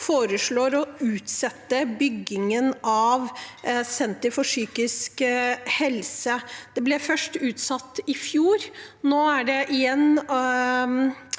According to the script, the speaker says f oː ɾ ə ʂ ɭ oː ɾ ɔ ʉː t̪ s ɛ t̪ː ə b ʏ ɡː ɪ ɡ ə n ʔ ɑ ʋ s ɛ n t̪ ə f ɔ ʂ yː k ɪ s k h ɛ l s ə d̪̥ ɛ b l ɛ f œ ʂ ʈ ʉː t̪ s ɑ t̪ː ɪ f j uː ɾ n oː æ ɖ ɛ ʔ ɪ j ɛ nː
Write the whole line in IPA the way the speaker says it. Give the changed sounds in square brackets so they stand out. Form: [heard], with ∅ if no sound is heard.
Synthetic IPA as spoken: f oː ɾ ə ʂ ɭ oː ɾ ɔ ʉː t̪ s ɛ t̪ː ə b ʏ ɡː ɪ [ŋ] ə n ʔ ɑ ʋ s ɛ n t̪ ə f ɔ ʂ yː k ɪ s k h ɛ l s ə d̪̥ ɛ b l ɛ f œ ʂ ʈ ʉː t̪ s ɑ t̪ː ɪ f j uː ɾ n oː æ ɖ ɛ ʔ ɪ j ɛ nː

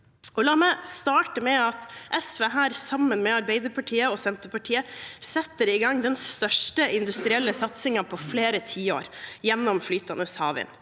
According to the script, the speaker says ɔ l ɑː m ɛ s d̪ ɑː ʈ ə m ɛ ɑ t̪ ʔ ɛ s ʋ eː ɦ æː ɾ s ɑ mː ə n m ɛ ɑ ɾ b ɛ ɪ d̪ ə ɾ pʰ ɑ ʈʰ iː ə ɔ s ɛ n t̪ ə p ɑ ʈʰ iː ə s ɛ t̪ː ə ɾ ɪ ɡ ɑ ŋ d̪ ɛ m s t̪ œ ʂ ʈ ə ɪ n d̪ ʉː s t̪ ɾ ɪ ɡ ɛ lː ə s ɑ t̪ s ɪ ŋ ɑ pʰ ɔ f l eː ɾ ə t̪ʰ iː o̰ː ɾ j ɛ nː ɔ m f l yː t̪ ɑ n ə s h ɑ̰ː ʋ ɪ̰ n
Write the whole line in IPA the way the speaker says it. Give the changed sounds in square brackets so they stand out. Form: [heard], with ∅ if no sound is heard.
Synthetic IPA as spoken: ɔ l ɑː m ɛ s [t̪] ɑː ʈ ə m ɛ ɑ t̪ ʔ ɛ s ʋ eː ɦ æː ɾ s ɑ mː ə n m ɛ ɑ ɾ b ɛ ɪ d̪ ə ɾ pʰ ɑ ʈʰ iː ə ɔ s ɛ n t̪ ə p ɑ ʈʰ iː ə s ɛ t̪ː ə ɾ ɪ ɡ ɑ ŋ d̪ ɛ [n] s t̪ œ ʂ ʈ ə ɪ n d̪ [ʉ] s t̪ ɾ ɪ [∅] ɛ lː ə s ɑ t̪ s ɪ ŋ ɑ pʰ ɔ f l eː ɾ ə t̪ʰ iː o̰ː ɾ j ɛ nː ɔ m f l yː t̪ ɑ n ə s h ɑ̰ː ʋ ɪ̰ n

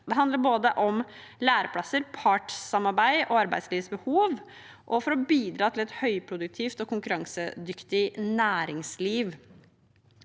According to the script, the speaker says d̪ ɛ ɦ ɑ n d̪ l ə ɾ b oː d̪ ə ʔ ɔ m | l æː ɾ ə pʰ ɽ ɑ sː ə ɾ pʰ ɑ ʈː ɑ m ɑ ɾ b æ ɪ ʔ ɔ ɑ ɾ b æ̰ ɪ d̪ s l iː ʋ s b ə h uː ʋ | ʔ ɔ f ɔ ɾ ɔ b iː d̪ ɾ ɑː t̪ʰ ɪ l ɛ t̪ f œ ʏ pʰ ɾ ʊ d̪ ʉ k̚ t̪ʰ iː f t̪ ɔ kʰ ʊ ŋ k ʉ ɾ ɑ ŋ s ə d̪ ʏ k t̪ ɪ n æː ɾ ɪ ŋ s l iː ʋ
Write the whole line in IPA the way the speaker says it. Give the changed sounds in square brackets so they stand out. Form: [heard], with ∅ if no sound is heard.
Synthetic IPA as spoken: d̪ ɛ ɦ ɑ n d̪ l ə ɾ b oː d̪ ə ʔ ɔ m | l æː ɾ ə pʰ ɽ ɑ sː ə ɾ pʰ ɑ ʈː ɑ m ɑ ɾ b æ ɪ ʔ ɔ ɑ ɾ b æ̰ ɪ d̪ s l iː ʋ s b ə h uː ʋ | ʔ ɔ f ɔ ɾ ɔ b iː d̪ ɾ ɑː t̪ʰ ɪ l ɛ t̪ [h] œ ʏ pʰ ɾ ʊ d̪ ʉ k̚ t̪ʰ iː f t̪ ɔ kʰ ʊ ŋ k ʉ ɾ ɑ ŋ s ə d̪ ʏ k t̪ ɪ n æː ɾ ɪ ŋ s l iː ʋ

